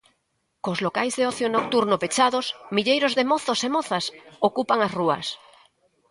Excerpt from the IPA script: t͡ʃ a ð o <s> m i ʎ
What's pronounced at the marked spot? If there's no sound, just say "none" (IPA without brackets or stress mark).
s